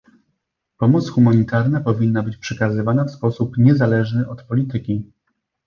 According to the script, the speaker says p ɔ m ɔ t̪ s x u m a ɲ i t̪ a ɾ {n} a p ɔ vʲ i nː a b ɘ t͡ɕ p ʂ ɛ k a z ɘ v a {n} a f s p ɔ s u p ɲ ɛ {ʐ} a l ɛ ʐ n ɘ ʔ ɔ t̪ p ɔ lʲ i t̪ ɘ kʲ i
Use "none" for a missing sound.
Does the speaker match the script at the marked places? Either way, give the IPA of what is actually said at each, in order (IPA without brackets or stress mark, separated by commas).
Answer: n, n, z